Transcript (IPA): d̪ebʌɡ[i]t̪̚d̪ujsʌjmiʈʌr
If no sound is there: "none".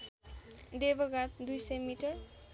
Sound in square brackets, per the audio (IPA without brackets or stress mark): a